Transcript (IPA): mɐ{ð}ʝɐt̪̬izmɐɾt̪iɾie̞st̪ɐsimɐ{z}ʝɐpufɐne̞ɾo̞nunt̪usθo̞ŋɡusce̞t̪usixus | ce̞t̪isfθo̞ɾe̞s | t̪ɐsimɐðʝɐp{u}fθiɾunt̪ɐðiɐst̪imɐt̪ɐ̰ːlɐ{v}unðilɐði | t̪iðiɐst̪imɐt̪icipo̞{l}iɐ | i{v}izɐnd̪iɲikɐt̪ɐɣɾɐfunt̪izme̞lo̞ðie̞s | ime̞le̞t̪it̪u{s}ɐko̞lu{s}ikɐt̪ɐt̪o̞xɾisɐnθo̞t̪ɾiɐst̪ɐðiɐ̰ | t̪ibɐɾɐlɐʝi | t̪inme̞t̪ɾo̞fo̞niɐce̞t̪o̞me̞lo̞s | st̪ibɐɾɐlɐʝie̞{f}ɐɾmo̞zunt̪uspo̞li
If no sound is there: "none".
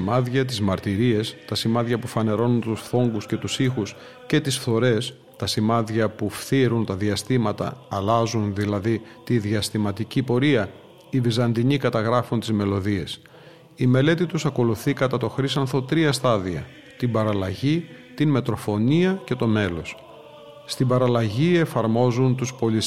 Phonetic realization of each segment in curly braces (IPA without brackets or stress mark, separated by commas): ð, ð, u, z, ɾ, v, s, θ, f